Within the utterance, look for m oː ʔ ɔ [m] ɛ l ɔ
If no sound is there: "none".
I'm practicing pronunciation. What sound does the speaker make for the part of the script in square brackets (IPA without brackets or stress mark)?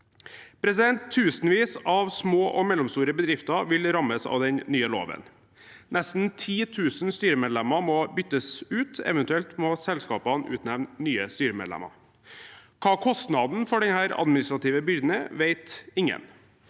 m